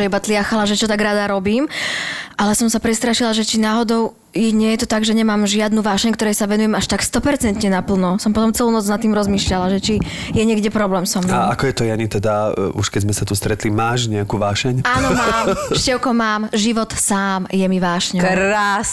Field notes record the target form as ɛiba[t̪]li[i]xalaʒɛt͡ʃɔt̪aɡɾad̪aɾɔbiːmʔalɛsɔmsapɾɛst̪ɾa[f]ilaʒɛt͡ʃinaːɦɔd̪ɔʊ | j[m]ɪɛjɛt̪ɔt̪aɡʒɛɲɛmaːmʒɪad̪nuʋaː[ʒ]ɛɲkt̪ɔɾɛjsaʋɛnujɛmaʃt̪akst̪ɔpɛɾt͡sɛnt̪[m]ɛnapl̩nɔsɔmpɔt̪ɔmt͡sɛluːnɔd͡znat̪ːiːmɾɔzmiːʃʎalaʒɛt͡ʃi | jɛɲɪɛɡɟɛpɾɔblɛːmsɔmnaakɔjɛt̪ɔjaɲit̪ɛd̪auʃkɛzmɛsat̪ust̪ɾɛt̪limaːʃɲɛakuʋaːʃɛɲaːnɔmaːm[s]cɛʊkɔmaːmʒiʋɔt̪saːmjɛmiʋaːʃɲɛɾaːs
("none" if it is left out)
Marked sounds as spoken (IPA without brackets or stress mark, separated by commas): t̪, a, ʃ, ɲ, ʃ, ɲ, ʃ